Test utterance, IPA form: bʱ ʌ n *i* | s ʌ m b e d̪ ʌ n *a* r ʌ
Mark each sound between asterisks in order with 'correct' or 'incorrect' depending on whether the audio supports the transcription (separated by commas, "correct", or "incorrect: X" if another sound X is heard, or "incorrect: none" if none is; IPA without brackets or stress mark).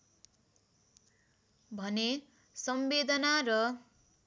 incorrect: e, correct